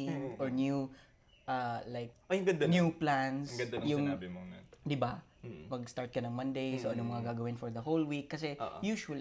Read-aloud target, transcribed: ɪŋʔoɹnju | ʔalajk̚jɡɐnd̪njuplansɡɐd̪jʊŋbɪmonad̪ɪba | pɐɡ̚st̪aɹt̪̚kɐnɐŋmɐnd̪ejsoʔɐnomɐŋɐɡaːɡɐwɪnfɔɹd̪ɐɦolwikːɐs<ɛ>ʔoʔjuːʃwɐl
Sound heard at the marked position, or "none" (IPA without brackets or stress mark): ɛ